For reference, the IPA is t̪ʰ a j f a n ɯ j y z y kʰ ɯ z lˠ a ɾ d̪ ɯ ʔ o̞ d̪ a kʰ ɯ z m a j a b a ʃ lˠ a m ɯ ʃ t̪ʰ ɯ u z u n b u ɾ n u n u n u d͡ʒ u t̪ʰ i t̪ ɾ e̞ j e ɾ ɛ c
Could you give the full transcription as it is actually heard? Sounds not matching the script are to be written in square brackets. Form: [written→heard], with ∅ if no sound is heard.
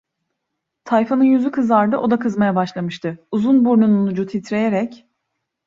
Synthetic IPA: t̪ʰ a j f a n ɯ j y z y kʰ ɯ z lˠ a ɾ d̪ ɯ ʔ o̞ d̪ a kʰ ɯ z m a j a b a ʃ lˠ a m ɯ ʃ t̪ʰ ɯ u z u n b u ɾ n u n u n u d͡ʒ u t̪ʰ i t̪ ɾ e̞ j e ɾ ɛ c